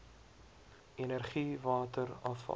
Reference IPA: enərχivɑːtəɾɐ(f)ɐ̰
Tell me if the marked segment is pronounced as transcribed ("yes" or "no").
yes